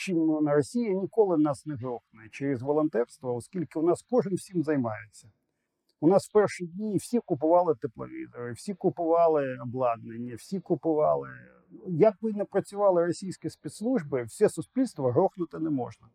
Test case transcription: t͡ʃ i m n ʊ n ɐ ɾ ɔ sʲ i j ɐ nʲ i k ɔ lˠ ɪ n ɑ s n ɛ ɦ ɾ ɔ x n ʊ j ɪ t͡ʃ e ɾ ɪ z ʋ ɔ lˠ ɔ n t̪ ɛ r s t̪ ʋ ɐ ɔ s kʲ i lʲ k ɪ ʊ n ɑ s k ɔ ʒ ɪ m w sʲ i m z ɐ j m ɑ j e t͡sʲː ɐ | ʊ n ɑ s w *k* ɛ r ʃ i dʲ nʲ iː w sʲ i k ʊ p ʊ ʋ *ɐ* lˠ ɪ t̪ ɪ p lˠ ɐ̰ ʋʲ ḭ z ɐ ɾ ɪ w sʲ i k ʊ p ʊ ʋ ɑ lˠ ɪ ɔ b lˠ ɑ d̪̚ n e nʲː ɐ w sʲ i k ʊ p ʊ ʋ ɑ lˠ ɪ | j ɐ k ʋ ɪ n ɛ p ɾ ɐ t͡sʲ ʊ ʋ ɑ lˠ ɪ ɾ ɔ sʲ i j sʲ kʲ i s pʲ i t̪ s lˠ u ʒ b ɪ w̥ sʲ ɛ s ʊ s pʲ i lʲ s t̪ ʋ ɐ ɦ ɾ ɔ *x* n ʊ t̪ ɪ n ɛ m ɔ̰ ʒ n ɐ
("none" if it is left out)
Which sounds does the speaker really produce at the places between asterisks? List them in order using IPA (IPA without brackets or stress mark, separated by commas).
p, ɑ, x